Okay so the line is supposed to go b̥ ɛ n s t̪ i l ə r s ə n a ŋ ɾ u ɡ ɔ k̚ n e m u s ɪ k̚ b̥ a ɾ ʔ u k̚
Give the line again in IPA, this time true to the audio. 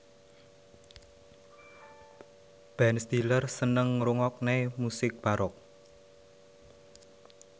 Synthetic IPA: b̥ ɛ n s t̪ i l ə r s ə n ə ŋ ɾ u ŋ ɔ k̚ n e m u s ɪ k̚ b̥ a ɾ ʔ ɔ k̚